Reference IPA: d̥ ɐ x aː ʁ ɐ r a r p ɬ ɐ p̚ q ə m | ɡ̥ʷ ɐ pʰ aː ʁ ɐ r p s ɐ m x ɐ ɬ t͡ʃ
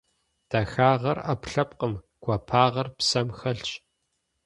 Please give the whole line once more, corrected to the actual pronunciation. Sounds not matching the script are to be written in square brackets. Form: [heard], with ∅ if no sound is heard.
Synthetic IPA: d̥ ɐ x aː ʁ ɐ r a [∅] p ɬ ɐ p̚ q ə m | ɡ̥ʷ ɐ pʰ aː ʁ ɐ r p s ɐ m x ɐ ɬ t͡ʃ